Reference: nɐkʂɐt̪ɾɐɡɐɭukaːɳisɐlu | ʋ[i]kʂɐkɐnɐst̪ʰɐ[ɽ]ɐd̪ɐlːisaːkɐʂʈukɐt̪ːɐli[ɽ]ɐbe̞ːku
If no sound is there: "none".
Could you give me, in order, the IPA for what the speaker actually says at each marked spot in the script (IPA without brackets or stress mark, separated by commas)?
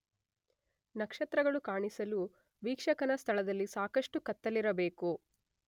iː, ɭ, ɾ